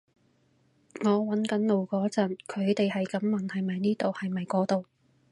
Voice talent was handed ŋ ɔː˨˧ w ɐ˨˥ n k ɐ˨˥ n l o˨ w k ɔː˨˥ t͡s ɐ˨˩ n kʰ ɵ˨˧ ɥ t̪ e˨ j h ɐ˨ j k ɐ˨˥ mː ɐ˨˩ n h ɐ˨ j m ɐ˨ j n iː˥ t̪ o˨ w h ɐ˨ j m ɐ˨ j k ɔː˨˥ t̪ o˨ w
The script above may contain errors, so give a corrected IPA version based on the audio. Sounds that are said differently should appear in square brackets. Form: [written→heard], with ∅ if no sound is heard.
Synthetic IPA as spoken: ŋ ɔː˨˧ w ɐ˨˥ n k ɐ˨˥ n l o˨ w k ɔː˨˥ t͡s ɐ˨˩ n kʰ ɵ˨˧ ɥ t̪ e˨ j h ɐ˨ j k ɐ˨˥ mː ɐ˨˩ n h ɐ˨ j m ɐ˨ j n iː˥ t̪ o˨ w h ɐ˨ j m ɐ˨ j k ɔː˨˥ t̪ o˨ w